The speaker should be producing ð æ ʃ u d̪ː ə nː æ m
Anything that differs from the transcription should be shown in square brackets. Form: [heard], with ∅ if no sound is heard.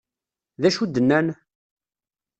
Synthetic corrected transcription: ð æ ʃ u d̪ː ə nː æ [n]